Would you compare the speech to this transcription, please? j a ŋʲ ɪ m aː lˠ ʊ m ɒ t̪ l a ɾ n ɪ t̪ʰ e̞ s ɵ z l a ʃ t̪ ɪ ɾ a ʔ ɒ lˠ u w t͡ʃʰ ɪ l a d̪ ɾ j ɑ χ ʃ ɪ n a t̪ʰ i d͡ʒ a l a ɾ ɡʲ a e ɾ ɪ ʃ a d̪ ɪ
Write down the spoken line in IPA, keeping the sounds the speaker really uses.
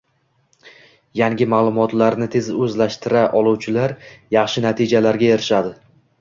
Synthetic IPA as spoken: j a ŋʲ ɪ m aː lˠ ʊ m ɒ t̪ l a ɾ n ɪ t̪ʰ e̞ z ɵ z l a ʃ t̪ ɪ ɾ a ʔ ɒ lˠ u w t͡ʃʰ ɪ l a ɾ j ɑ χ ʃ ɪ n a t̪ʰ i d͡ʒ a l a ɾ ɡʲ a e ɾ ɪ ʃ a d̪ ɪ